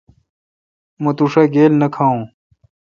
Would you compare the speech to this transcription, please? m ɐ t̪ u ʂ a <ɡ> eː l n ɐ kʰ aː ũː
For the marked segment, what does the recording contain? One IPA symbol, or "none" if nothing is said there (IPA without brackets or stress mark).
ɡ